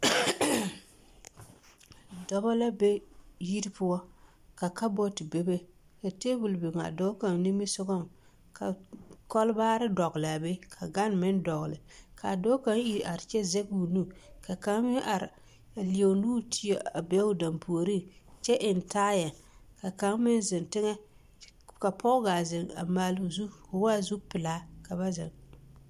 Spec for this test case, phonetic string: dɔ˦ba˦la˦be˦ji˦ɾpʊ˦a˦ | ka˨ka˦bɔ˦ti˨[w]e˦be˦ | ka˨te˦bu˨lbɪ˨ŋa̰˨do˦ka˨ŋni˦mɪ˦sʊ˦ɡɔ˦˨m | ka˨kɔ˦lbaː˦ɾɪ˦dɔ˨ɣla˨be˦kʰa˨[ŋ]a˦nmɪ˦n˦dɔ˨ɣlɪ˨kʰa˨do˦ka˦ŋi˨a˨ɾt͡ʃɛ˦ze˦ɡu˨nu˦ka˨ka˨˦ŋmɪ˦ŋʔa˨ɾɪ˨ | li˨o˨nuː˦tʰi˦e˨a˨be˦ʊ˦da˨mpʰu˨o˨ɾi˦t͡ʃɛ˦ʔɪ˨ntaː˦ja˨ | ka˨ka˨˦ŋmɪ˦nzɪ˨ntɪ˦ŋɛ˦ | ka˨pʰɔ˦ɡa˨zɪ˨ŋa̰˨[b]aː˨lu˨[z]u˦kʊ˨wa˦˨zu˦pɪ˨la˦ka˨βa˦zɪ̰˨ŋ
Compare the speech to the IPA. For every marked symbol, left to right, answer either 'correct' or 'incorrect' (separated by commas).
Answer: incorrect, incorrect, incorrect, correct